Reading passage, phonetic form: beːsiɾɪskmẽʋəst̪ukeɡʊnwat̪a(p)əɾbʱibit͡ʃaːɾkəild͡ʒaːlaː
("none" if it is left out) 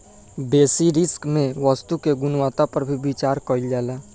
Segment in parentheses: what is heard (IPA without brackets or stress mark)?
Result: p